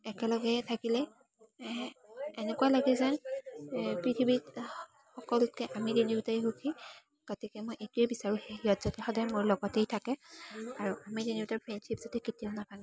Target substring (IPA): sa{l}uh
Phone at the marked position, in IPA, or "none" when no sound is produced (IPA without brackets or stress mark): ɹ